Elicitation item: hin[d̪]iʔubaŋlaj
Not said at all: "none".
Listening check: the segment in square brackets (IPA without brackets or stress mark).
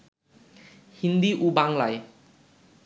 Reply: d̪